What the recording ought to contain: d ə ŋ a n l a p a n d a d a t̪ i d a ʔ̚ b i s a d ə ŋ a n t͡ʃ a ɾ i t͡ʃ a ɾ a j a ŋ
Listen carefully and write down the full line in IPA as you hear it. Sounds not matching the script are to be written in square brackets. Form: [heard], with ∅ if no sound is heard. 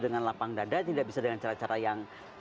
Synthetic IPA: d ə ŋ a n l a p a [ŋ] d a d a t̪ i d a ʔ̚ b i s a d ə ŋ a n t͡ʃ a ɾ [a] t͡ʃ a ɾ a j a ŋ

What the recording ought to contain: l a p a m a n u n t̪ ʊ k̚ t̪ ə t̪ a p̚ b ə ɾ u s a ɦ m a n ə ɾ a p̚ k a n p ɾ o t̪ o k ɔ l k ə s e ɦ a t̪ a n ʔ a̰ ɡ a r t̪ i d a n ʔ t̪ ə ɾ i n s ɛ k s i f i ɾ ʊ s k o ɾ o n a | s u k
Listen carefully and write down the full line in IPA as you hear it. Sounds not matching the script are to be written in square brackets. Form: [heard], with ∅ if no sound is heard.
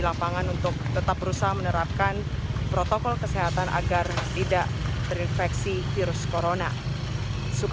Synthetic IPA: l a p a [ŋ] a n u n t̪ ʊ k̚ t̪ ə t̪ a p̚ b ə ɾ u s a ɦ m [ə] n ə ɾ a p̚ k a n p ɾ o t̪ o k ɔ l k ə s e ɦ a t̪ a n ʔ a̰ ɡ a r t̪ i d a [∅] ʔ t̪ ə ɾ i n [f] ɛ k s i f i ɾ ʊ s k o ɾ o n a | s u k

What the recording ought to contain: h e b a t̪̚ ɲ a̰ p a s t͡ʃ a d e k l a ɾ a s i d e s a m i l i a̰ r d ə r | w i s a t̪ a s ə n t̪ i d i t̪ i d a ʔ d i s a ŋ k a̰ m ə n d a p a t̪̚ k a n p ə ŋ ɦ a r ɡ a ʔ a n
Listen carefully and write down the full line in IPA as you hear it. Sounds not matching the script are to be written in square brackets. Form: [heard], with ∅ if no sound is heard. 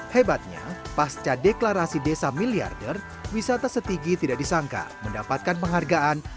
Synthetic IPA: h e b a t̪̚ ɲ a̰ p a s t͡ʃ a d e k l a ɾ a s i d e s a m i l i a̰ r d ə r | w i s a t̪ a s ə [∅] t̪ i [ɡ] i t̪ i d a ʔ d i s a ŋ k a̰ m ə n d a p a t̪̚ k a n p ə ŋ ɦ a r ɡ a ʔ a n

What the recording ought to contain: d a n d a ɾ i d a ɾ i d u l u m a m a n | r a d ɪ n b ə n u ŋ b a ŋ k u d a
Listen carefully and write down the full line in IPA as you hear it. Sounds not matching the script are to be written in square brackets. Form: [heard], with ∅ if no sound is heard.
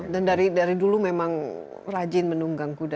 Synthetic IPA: d a n d a ɾ i d a ɾ i d u l u m [e] m a [ŋ] | r a [d͡ʒ] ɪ n [m] ə n u ŋ [ɡ] a ŋ k u d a

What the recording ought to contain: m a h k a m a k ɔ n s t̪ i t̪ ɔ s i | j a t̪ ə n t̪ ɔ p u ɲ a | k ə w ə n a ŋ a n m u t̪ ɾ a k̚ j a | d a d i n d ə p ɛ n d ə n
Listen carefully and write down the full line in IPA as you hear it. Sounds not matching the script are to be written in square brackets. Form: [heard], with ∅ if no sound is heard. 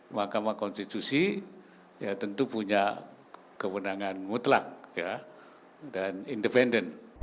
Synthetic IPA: m a h k a m a k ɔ n s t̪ i t̪ [u] s i | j a t̪ ə n t̪ [u] p u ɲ a | k ə w ə n a ŋ a n m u t̪ [l] a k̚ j a | d a [n] i n d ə p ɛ n d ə n

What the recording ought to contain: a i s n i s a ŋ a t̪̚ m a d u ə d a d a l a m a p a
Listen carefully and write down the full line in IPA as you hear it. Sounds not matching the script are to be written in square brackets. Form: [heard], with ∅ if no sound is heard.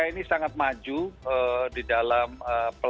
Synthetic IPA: a i [∅] n i s a ŋ a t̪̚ m a [d͡ʒ] u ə d [i] d a l a m [ə] p [ə]

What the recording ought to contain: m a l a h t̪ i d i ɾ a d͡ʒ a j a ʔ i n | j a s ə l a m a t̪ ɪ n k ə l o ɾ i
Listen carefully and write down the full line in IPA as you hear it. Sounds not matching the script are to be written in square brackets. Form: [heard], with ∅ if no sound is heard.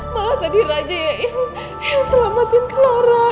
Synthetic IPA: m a l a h t̪ [a] d i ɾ a d͡ʒ a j a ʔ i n | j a s ə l a m a t̪ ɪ n k ə l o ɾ [a]

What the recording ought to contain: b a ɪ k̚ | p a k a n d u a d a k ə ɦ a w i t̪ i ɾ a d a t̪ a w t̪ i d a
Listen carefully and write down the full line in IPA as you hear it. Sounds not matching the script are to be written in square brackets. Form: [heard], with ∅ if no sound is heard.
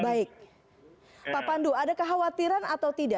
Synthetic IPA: b a ɪ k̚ | p a [p] a n d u a d a k ə ɦ a w [a] t̪ i ɾ a [n] a t̪ a w t̪ i d a

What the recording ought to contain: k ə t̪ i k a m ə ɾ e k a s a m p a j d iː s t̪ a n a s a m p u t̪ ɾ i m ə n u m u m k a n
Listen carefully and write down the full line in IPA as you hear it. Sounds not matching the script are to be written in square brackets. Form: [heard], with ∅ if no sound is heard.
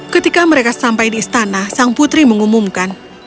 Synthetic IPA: k ə t̪ i k a m ə ɾ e k a s a m p a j d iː s t̪ a n a s a [ŋ] p u t̪ ɾ i m ə [ŋ] u m u m k a n

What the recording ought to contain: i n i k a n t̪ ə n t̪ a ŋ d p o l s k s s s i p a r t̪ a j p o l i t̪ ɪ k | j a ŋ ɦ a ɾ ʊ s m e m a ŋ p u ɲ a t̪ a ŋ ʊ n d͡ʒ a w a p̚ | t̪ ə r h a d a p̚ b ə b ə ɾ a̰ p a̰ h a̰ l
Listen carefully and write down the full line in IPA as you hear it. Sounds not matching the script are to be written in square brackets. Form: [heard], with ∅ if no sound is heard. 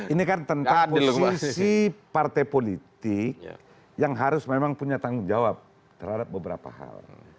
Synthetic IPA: i n i k a n t̪ ə n t̪ a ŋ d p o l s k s s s i p a r t̪ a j p o l i t̪ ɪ k | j a ŋ ɦ a ɾ ʊ s m e m a ŋ p u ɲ a t̪ a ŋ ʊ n d͡ʒ a w a p̚ | t̪ ə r h a d a p̚ b ə b ə ɾ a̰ p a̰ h a̰ l

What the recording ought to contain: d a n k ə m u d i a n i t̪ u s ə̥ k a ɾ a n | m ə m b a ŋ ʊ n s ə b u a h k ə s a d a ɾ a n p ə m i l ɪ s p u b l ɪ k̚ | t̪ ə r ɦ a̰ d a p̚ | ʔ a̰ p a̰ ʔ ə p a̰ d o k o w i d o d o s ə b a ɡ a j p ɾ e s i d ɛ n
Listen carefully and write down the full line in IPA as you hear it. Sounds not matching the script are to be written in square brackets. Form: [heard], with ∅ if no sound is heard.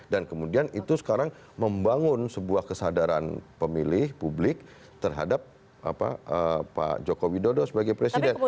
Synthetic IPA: d a n k ə m u d i a n i t̪ u s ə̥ k a ɾ a [ŋ] | m ə m b a ŋ ʊ n s ə b u a h k ə s a d a ɾ a n p ə m i l ɪ [h] p u b l ɪ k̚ | t̪ ə r ɦ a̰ d a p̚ | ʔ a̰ p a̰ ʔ ə p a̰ [d͡ʒ] o k o w i d o d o s ə b a ɡ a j p ɾ e s i d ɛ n

